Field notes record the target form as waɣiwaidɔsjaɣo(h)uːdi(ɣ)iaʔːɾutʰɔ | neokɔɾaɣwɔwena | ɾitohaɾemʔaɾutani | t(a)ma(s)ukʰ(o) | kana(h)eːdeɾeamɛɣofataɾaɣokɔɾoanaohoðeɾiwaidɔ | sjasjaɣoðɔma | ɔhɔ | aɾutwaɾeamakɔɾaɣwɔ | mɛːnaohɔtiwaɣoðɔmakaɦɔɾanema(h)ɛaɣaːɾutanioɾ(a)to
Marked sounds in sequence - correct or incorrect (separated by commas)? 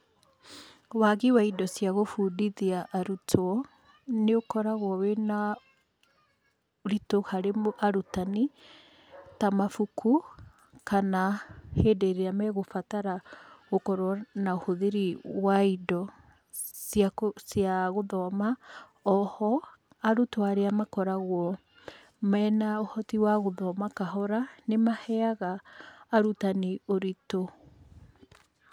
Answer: incorrect, incorrect, correct, incorrect, incorrect, correct, correct, incorrect